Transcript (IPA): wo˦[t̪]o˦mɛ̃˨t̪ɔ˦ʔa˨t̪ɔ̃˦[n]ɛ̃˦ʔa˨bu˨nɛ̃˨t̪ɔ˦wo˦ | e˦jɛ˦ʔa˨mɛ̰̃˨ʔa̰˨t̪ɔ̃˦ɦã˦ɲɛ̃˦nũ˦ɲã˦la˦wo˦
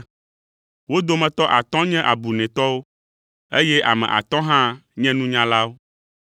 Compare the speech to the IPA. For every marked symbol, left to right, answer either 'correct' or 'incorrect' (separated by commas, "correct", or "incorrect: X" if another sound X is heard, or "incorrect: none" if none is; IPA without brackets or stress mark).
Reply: incorrect: d̪, incorrect: ɲ